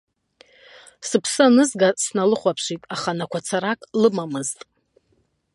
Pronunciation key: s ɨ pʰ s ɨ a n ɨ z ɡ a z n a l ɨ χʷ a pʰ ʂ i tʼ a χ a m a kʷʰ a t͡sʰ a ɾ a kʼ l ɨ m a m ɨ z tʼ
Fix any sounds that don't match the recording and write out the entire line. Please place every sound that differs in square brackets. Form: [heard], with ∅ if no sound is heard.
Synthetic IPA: s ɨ pʰ s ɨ a n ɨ z ɡ a [s] n a l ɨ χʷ a pʰ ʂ i tʼ a χ a [n] a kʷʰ a t͡sʰ a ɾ a kʼ l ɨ m a m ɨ z tʼ